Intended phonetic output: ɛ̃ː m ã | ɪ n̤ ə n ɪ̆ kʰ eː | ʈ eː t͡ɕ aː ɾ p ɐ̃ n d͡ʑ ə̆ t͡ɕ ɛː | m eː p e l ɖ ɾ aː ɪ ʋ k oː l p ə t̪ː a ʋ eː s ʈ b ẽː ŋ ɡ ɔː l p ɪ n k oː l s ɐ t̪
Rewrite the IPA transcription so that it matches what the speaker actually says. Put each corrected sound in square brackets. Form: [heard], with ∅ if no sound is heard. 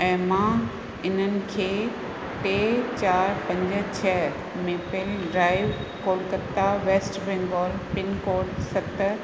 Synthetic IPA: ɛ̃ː m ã | ɪ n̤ ə n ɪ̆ kʰ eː | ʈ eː t͡ɕ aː ɾ p ɐ̃ [ɲ] d͡ʑ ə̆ [t͡ɕʰ] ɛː | m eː p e l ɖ ɾ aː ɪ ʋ k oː l [k] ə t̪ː a ʋ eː s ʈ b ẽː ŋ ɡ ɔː l p ɪ n k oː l s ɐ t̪